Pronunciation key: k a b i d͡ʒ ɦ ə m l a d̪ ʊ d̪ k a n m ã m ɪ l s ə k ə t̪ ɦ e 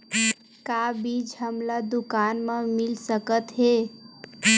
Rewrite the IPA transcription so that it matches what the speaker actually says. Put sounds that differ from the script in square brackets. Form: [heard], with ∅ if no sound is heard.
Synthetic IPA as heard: k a b i d͡ʒ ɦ ə m l a d̪ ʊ [∅] k a n m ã m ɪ l s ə k ə t̪ ɦ e